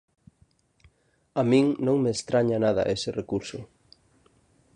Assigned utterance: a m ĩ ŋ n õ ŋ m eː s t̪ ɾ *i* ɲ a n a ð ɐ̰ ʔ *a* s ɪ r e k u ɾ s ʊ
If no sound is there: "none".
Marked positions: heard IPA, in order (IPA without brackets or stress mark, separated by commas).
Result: a, e